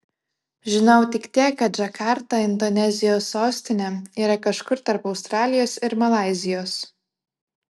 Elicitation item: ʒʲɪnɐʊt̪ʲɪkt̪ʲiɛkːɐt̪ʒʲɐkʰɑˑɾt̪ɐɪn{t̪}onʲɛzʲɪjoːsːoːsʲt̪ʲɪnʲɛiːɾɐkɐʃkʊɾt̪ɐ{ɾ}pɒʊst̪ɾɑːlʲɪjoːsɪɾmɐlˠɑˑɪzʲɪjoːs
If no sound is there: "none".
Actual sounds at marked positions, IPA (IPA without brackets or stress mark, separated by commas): d̪, ɾ